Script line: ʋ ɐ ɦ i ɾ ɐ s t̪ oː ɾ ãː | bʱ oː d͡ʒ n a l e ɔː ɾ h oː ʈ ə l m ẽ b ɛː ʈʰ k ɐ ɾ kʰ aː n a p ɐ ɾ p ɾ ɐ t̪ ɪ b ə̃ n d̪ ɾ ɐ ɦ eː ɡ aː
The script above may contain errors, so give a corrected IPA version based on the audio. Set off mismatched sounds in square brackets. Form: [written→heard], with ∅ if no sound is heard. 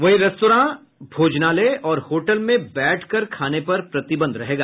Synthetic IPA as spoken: ʋ ɐ ɦ i ɾ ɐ s t̪ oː ɾ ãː | bʱ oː d͡ʒ n a l e ɔː ɾ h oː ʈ ə l m ẽ b ɛː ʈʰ k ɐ ɾ kʰ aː n [a→e] p ɐ ɾ p ɾ ɐ t̪ ɪ b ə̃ n d̪ ɾ ɐ ɦ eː ɡ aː